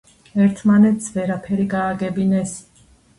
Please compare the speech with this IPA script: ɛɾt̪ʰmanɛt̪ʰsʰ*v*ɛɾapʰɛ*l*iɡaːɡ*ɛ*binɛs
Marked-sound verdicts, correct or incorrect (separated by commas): correct, incorrect, correct